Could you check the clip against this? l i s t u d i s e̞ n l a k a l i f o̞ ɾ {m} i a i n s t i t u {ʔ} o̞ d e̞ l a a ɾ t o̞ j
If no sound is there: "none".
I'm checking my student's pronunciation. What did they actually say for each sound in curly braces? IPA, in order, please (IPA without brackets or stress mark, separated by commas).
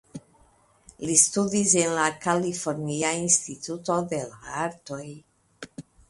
n, t